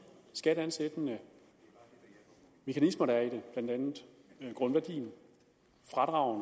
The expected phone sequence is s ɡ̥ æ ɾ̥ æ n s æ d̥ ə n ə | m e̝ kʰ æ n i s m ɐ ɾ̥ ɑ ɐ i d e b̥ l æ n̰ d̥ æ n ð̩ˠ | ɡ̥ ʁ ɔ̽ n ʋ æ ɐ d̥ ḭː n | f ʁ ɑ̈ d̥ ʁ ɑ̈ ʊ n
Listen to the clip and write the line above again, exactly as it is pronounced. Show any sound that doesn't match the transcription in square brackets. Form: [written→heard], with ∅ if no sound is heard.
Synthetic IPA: s ɡ̥ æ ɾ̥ æ n s [æ→e] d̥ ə n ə | m e̝ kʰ æ n i s m ɐ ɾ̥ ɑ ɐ i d e b̥ l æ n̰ d̥ æ n ð̩ˠ | ɡ̥ ʁ ɔ̽ n ʋ æ ɐ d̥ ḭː n | f ʁ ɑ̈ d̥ ʁ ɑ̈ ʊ n